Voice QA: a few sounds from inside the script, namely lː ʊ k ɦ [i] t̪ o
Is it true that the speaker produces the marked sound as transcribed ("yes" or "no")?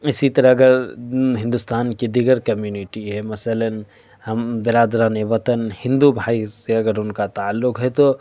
no